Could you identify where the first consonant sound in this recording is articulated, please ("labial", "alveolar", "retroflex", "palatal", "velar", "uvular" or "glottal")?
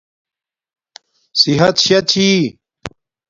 alveolar